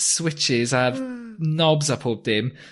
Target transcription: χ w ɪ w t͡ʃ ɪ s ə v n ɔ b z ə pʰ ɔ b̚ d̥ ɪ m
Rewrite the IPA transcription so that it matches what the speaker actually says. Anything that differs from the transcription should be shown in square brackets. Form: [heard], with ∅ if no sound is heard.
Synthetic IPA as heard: [s] w ɪ [∅] t͡ʃ ɪ [z] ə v n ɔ b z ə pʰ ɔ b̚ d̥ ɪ m